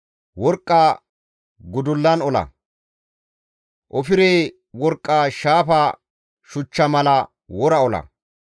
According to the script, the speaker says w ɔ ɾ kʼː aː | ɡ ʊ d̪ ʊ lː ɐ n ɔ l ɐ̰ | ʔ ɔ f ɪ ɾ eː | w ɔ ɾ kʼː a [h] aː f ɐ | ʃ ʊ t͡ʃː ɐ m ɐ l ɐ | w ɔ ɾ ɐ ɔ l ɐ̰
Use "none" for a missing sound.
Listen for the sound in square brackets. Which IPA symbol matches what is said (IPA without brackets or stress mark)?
ʃ